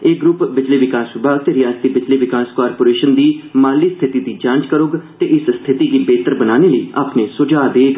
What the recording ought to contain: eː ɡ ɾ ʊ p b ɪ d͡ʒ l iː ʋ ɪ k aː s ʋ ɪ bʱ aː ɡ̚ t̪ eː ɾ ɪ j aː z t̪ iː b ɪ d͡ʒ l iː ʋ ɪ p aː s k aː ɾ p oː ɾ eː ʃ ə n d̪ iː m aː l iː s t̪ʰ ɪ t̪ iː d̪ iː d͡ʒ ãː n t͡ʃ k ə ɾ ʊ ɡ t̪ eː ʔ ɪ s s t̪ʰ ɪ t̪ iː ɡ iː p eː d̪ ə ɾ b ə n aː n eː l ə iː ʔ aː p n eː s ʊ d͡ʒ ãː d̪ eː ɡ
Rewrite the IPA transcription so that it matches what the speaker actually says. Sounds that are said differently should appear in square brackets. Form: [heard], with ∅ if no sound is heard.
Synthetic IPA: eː ɡ ɾ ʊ p b ɪ d͡ʒ l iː ʋ ɪ k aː s ʋ ɪ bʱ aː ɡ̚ t̪ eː ɾ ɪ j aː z t̪ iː b ɪ d͡ʒ l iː ʋ ɪ [k] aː s k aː ɾ p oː ɾ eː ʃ ə n d̪ iː m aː l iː s t̪ʰ ɪ t̪ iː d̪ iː d͡ʒ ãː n t͡ʃ k ə ɾ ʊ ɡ t̪ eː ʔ ɪ s s t̪ʰ ɪ t̪ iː ɡ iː [b] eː [t̪] ə ɾ b ə n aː n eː l ə iː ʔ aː p n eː s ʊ d͡ʒ [aː] d̪ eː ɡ